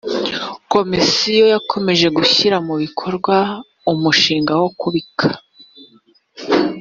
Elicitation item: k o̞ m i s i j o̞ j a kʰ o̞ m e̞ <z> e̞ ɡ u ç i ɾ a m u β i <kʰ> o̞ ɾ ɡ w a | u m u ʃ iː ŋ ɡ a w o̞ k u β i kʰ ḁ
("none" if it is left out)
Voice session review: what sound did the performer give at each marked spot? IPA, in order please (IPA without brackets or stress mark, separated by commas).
ʒ, kʰ